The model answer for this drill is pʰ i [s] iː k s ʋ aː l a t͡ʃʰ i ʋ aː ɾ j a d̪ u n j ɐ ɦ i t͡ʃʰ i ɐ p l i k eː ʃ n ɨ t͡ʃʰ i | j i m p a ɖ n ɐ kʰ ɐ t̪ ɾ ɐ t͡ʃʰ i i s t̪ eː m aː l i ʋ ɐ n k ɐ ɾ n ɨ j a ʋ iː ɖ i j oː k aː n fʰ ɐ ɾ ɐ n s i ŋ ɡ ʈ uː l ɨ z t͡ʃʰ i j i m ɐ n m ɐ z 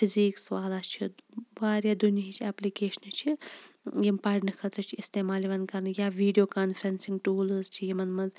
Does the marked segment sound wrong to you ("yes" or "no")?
yes